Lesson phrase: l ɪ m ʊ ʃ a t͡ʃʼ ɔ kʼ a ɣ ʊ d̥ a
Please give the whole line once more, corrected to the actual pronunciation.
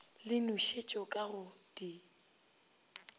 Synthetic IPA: l ɪ n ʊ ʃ e t͡ʃʼ ɔ kʼ a ɣ ʊ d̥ i

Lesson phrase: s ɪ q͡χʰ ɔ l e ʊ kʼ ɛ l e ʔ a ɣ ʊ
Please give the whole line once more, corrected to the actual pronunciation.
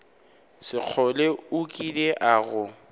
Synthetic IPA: s ɪ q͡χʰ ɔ l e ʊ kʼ i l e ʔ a ɣ ʊ

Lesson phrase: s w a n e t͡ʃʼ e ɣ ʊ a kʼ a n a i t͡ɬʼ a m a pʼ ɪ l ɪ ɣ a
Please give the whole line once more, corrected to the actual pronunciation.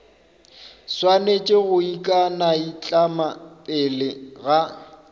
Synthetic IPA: s w a n e t͡ʃʼ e ɣ ʊ i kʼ a n a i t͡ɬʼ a m a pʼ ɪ l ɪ ɣ a

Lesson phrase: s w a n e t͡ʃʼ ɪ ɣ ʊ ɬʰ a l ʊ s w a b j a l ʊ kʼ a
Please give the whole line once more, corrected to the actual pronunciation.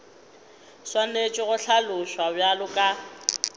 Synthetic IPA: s w a n e t͡ʃʼ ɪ ɣ ʊ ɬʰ a l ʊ ʃ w a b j a l ʊ kʼ a

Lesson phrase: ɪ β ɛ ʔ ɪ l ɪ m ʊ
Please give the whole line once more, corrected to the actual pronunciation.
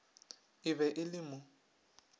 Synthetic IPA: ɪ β ɛ ʔ ɪ l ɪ m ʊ

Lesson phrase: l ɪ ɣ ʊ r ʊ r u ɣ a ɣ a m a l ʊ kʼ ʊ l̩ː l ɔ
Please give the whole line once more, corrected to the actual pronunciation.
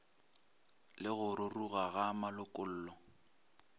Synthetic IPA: l ɪ ɣ ʊ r ʊ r u ɣ a ɣ a m a l ʊ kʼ ʊ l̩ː l ɔ

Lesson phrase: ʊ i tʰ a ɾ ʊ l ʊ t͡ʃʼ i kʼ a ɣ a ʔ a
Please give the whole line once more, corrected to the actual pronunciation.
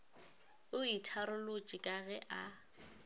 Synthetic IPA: ʊ i tʰ a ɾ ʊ l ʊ t͡ʃʼ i kʼ a ɣ ɛ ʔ a

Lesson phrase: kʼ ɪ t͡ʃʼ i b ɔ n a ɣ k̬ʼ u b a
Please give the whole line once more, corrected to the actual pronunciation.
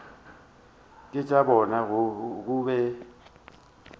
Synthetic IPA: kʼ ɪ t͡ʃʼ a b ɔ n a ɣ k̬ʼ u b ɛ

